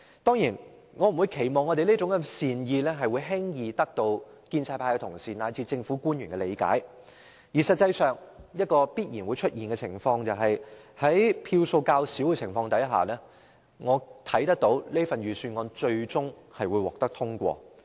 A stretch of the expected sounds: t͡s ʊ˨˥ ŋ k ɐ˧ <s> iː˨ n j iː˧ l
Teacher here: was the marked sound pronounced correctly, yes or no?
yes